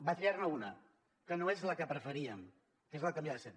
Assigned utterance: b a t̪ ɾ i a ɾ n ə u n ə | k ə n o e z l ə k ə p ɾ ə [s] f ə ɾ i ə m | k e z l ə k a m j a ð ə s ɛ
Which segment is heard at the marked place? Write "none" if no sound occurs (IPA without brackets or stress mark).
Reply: none